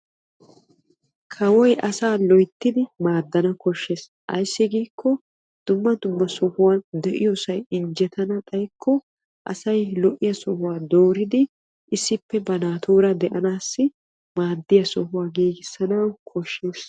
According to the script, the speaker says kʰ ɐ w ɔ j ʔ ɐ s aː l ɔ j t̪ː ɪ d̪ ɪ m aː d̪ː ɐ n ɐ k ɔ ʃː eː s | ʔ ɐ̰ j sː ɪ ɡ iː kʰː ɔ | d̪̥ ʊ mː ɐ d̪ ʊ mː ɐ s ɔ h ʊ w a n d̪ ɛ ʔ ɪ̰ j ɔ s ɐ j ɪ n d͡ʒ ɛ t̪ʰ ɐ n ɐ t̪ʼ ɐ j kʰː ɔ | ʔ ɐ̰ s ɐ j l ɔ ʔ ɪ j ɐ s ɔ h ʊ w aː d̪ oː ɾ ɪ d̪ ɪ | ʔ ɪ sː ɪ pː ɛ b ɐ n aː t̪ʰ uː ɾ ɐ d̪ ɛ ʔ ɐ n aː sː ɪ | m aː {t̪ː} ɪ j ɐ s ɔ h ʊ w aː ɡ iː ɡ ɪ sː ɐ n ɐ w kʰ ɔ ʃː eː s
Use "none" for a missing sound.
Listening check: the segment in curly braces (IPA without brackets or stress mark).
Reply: d̪ː